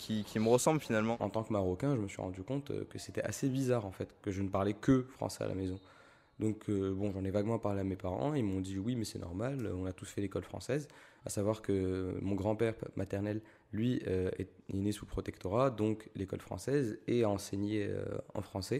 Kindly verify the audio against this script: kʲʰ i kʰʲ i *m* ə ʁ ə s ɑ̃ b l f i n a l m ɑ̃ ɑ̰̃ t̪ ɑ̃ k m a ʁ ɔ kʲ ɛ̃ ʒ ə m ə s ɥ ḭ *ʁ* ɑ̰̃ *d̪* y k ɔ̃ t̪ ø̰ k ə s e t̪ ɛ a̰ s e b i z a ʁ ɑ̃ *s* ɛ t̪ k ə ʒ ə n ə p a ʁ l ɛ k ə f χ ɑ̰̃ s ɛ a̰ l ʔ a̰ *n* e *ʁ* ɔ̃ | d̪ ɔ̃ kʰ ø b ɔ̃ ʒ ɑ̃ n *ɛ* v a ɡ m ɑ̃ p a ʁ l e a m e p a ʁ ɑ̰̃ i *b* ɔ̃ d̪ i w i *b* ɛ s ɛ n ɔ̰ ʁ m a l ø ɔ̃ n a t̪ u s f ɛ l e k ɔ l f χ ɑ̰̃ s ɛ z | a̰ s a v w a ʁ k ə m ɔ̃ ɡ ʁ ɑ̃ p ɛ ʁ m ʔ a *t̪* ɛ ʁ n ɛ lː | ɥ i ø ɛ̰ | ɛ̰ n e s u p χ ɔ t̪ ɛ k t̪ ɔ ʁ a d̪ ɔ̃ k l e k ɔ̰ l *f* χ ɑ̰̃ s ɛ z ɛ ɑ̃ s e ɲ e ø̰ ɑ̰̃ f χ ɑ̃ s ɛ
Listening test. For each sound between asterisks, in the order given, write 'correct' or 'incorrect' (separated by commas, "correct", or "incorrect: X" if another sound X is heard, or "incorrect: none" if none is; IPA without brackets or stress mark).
correct, correct, correct, incorrect: f, incorrect: m, incorrect: z, correct, incorrect: m, incorrect: m, correct, correct